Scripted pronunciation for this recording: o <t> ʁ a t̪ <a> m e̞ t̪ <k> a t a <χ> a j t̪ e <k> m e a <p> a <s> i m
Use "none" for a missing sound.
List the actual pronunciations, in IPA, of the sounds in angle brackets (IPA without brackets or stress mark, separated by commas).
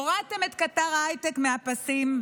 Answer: none, e, k, ʁ, k, p, s